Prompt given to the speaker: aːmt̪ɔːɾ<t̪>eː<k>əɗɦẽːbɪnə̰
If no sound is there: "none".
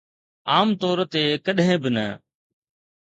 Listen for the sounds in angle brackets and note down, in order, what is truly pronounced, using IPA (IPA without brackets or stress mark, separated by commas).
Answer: t̪, k